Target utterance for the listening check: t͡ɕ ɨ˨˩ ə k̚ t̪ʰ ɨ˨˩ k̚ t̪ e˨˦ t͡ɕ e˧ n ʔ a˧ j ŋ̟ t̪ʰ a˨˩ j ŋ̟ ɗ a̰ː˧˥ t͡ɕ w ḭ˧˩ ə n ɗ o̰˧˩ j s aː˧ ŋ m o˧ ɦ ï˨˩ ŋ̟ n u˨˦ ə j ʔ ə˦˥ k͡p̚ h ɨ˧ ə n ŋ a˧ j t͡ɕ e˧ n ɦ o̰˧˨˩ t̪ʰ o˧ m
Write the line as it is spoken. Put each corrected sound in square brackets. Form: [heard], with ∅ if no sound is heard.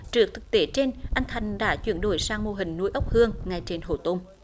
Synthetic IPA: t͡ɕ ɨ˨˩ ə k̚ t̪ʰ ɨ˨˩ k̚ t̪ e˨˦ t͡ɕ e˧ n ʔ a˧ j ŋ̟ t̪ʰ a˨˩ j ŋ̟ ɗ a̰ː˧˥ t͡ɕ w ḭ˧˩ ə n ɗ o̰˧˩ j s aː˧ ŋ m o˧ ɦ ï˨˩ ŋ̟ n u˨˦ ə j ʔ ə˦˥ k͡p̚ h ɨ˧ ə [ŋ] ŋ [a˨˩] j t͡ɕ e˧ n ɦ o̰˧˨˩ [t̪] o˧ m